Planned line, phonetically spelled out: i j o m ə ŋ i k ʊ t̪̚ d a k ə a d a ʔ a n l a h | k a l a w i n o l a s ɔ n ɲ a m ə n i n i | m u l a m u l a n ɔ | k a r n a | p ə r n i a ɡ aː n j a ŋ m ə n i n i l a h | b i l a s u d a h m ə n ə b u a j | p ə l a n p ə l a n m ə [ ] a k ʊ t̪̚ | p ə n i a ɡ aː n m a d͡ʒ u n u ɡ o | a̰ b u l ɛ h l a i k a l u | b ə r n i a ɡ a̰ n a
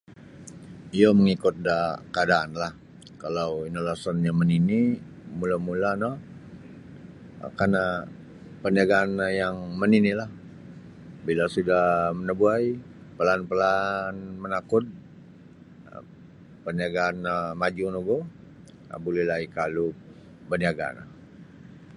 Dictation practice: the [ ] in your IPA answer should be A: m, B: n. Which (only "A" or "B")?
B